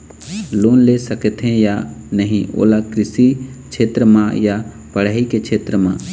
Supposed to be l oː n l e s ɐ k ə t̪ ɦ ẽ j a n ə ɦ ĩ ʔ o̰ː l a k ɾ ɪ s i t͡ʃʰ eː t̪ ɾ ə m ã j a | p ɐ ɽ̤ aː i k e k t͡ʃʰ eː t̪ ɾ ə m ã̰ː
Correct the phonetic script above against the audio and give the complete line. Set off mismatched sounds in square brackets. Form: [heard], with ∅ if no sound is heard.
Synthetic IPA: l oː n l e s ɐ k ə t̪ ɦ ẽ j a n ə ɦ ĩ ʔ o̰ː l a k ɾ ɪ s i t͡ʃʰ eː t̪ ɾ ə m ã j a | p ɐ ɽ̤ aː i k e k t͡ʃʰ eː t̪ ɾ ə m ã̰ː